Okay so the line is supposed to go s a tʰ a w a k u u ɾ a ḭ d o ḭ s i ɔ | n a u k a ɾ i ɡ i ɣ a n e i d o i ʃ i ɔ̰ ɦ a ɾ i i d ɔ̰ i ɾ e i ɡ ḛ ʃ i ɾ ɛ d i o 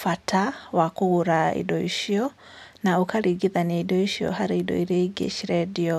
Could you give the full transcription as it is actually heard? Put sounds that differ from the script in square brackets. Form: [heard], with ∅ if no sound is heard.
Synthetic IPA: [f] a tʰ a w a k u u ɾ a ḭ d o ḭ [ʃ] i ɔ | n a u k a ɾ i ɡ i [ð] a n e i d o i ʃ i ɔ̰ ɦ a ɾ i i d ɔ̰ i ɾ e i ɡ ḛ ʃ i ɾ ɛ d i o

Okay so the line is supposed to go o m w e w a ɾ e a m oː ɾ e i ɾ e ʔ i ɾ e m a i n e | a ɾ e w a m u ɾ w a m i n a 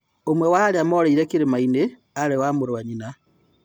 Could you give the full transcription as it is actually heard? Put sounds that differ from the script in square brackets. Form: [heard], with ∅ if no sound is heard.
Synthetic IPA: o m w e w a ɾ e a m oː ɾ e i ɾ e [k] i ɾ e m a i n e | a ɾ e w a m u ɾ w a [ɲ] i n a

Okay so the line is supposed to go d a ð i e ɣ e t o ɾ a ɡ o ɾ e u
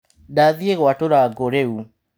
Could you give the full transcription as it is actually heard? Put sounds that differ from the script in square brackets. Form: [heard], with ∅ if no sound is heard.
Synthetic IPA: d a ð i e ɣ [a] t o ɾ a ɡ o ɾ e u

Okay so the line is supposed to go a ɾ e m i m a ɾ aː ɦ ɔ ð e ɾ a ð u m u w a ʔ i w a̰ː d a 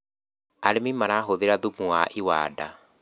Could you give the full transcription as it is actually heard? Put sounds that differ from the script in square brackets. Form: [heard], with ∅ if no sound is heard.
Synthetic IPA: a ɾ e m i m a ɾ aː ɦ [o] ð e ɾ a ð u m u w a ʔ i w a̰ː d a

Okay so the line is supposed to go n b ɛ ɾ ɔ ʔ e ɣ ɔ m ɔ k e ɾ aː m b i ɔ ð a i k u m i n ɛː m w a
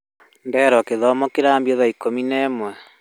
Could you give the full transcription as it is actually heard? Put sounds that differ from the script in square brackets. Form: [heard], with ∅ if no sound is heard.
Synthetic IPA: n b ɛ ɾ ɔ [k] e [ð] ɔ m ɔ k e ɾ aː m b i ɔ ð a i k [o] m i n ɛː m w [ɛ]

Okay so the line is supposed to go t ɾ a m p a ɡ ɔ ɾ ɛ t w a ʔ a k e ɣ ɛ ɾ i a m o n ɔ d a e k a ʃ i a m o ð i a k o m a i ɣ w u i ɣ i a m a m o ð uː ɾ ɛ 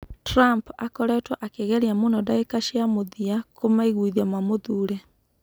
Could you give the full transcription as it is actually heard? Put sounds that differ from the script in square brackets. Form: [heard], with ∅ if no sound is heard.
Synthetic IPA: t ɾ a m p a [k] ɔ ɾ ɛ t w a ʔ a k e ɣ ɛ ɾ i a m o n ɔ d a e k a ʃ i a m o ð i a k o m a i ɣ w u i [ð] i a m a m o ð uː ɾ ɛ

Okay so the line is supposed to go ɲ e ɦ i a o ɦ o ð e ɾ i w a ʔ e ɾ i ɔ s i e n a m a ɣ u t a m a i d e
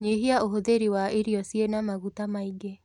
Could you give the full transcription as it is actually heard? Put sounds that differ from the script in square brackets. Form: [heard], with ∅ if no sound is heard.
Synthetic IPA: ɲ e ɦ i a o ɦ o ð e ɾ i w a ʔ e ɾ i ɔ s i e n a m a ɣ u t a m a i [ɡ] e

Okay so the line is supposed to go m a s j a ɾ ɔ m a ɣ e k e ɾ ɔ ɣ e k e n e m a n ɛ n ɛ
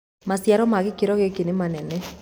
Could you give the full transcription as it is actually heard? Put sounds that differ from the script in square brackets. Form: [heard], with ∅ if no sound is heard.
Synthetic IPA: m a s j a ɾ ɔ m a ɣ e k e ɾ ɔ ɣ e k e n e m a n ɛ n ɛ

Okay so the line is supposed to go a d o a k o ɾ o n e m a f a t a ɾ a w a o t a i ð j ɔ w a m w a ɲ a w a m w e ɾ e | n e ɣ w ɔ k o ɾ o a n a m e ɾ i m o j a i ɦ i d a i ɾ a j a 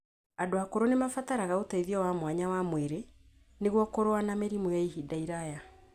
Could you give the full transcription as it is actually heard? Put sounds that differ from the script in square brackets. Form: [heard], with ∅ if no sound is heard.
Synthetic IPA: a d o a k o ɾ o n e m a f a t a ɾ a [ɣ] a o t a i ð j ɔ w a m w a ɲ a w a m w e ɾ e | n e ɣ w ɔ k o ɾ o a n a m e ɾ i m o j a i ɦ i d a i ɾ a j a

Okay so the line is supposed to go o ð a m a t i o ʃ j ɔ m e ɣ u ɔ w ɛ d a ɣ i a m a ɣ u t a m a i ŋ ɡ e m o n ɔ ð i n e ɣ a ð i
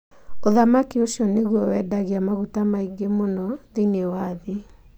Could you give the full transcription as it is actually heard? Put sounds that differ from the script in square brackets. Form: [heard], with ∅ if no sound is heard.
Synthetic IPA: o ð a m a [k] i o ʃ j ɔ [n] e ɣ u ɔ w ɛ d a ɣ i a m a ɣ u t a m a i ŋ ɡ e m o n ɔ ð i n e [w] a ð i

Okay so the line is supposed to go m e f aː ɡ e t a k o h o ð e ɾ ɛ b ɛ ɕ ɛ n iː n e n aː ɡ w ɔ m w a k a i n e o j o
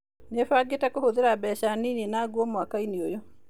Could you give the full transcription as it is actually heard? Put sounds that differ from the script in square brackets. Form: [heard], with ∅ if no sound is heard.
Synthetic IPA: [n] e f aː ɡ e t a k o h o ð e ɾ [a] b ɛ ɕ [a] n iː n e n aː ɡ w ɔ m w a k a i n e o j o

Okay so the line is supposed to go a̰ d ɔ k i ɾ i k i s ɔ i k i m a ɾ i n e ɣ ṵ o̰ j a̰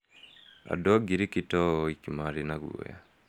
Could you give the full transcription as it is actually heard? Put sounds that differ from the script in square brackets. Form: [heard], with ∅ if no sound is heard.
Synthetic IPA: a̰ d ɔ [ɡ] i ɾ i k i [t] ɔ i k i m a ɾ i n [a] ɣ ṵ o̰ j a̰

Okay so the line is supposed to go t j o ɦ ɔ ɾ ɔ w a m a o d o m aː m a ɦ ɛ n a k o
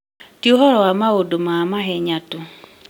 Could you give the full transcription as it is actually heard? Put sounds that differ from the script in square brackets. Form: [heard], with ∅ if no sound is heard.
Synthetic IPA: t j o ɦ ɔ ɾ ɔ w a m a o d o m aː m a ɦ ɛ [ɲ] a [t] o

